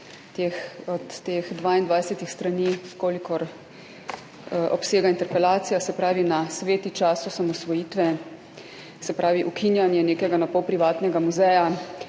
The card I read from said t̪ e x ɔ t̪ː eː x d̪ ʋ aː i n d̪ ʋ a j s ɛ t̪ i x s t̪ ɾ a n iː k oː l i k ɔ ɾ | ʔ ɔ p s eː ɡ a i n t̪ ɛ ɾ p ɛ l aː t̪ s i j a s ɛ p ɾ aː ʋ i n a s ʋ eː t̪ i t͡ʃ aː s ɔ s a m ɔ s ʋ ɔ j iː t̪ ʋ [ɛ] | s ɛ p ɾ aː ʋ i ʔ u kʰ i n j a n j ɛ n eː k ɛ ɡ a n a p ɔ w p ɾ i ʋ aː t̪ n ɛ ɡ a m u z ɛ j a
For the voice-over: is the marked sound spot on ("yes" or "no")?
yes